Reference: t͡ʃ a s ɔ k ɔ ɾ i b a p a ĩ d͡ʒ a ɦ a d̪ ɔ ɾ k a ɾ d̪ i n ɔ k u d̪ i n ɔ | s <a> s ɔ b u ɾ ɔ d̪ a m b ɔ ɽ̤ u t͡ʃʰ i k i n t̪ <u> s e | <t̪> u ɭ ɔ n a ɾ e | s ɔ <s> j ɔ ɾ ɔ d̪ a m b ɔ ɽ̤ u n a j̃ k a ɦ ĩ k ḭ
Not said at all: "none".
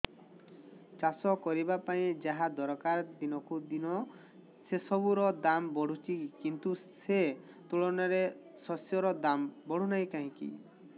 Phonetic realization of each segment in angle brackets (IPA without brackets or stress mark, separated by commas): e, u, t̪, s